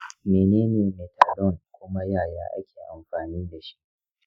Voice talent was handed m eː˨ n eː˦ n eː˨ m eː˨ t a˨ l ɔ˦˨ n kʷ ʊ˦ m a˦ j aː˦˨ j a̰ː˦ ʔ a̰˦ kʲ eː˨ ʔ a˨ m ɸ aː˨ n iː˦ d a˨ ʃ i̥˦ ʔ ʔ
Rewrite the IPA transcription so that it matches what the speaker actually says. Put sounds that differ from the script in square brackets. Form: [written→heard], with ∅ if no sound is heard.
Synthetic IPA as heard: m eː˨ n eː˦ n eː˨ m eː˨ t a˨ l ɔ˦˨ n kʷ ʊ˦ m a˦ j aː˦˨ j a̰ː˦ ʔ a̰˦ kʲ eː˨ ʔ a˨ m ɸ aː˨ n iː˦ d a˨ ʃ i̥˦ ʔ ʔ